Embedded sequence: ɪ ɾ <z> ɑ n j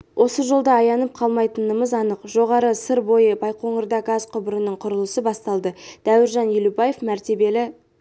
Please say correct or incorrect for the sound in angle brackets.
incorrect